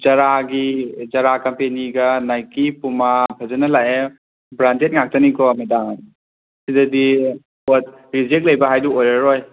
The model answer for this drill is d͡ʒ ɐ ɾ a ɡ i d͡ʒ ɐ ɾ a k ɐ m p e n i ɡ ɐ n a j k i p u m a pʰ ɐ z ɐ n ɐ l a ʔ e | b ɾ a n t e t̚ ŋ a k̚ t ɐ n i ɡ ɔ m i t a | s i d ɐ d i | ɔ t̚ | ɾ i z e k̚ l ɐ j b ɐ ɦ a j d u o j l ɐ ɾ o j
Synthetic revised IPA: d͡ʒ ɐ ɾ a ɡ i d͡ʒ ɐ ɾ a k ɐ m p e n i ɡ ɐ n a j k i p u m a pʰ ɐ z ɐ n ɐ l a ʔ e | b ɾ a n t e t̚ ŋ a k̚ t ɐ n i k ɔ m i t a | s i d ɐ d i | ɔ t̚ | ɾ i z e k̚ l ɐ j b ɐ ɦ a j d u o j ɾ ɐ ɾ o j